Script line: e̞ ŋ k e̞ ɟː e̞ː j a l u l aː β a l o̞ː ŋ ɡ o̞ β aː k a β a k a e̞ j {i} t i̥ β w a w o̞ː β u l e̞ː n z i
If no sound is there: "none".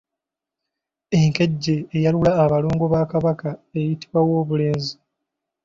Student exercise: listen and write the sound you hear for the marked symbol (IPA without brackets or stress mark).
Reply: i